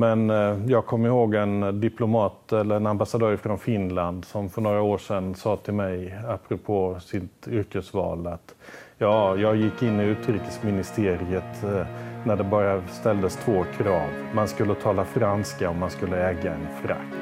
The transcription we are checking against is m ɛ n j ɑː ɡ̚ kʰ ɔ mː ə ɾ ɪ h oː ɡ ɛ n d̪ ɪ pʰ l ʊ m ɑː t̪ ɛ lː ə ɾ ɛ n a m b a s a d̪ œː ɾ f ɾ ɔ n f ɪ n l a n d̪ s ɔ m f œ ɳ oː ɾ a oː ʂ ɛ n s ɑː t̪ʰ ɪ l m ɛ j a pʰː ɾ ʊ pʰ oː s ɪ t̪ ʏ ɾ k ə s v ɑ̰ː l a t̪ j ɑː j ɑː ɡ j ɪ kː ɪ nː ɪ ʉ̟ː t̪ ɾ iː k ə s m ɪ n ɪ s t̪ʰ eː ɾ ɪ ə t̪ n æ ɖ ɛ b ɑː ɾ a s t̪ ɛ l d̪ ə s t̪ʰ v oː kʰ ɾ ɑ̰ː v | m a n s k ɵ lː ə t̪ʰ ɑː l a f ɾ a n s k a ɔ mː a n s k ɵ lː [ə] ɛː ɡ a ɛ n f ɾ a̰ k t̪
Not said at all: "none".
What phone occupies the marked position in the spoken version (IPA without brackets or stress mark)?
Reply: ə